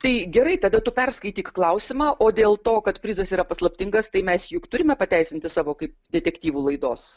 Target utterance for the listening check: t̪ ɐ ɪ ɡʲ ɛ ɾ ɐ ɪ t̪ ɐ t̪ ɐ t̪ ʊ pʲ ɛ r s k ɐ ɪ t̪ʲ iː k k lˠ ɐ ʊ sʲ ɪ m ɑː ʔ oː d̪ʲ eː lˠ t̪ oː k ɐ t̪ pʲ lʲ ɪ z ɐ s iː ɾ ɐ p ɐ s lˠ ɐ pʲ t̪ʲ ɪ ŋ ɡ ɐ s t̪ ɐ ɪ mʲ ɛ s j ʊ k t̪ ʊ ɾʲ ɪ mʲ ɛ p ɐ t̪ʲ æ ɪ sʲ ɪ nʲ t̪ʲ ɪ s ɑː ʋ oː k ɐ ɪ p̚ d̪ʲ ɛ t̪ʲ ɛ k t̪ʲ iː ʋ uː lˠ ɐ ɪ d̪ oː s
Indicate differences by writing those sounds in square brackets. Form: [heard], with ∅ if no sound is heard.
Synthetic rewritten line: t̪ ɐ ɪ ɡʲ ɛ ɾ ɐ ɪ t̪ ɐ [d̪] ɐ t̪ ʊ pʲ ɛ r s k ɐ ɪ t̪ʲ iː k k lˠ ɐ ʊ sʲ ɪ m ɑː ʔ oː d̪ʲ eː lˠ t̪ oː k ɐ t̪ pʲ [ɾʲ] ɪ z ɐ s iː ɾ ɐ p ɐ s lˠ ɐ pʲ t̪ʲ ɪ ŋ ɡ ɐ s t̪ ɐ ɪ mʲ ɛ s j ʊ k t̪ ʊ ɾʲ ɪ mʲ ɛ p ɐ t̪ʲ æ ɪ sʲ ɪ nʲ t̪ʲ ɪ s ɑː ʋ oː k ɐ ɪ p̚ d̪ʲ ɛ t̪ʲ ɛ k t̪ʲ iː ʋ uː lˠ ɐ ɪ d̪ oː s